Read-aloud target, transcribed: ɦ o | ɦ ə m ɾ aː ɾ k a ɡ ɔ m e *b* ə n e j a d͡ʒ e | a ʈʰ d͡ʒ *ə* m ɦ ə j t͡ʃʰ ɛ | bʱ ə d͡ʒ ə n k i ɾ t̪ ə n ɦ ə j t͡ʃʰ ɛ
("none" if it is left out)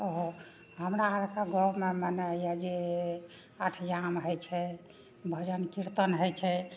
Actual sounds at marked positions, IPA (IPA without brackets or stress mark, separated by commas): m, a